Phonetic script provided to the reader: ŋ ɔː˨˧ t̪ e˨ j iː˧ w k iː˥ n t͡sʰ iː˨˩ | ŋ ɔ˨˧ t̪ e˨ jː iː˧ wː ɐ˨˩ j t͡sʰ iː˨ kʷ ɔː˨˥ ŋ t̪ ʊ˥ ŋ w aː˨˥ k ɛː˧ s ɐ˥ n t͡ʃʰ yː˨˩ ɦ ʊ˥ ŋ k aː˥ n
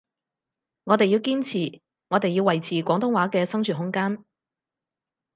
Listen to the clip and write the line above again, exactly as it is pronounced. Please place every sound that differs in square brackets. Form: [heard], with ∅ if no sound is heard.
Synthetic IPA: ŋ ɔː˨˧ t̪ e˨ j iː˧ w k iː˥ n t͡sʰ iː˨˩ | ŋ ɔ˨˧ t̪ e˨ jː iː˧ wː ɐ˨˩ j t͡sʰ iː˨ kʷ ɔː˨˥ ŋ t̪ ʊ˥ ŋ w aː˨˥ k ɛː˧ s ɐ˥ [ŋ] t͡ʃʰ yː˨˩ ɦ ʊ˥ ŋ k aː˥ n